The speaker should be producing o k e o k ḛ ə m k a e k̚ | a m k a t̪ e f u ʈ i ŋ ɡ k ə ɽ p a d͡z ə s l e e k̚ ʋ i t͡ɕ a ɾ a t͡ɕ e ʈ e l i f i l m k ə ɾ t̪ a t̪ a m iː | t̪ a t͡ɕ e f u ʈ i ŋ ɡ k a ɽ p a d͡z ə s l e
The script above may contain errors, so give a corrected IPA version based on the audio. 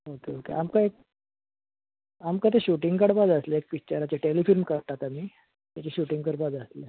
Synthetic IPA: o k e o k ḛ a m k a e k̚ | a m k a t̪ e ɕ u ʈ i ŋ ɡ k ə ɽ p a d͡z ə s l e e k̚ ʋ i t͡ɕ a ɾ a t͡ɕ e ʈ e l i f i l m k ə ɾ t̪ a t̪ a m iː | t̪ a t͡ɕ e ɕ u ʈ i ŋ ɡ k ə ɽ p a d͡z ə s l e